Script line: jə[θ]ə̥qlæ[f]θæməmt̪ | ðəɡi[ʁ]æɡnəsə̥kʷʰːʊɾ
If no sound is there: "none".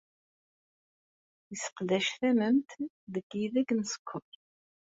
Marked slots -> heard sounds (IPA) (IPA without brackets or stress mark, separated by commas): s, ʃ, ð